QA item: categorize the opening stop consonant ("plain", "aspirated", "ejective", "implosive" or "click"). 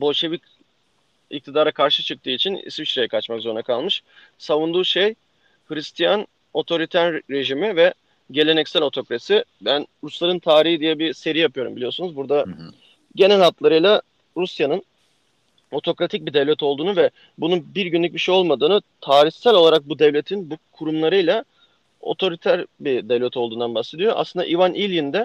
plain